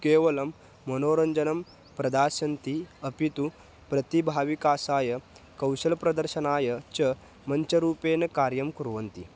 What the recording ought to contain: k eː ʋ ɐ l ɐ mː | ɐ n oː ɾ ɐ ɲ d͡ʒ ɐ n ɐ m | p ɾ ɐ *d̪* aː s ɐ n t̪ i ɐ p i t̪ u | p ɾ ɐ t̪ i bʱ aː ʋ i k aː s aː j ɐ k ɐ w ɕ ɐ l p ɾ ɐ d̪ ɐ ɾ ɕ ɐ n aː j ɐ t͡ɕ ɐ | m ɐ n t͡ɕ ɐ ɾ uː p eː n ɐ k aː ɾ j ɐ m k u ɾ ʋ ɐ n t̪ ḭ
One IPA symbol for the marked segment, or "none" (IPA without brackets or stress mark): d̪